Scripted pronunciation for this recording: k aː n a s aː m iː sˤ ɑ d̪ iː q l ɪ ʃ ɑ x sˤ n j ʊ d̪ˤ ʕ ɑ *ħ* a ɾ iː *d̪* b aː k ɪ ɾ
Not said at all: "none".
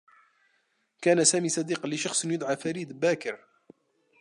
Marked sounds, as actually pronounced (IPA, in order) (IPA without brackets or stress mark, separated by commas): f, d̪